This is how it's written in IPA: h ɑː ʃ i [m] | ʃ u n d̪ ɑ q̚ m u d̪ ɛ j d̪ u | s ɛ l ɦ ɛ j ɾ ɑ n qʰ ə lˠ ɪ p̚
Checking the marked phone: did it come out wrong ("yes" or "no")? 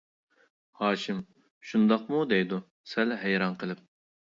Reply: no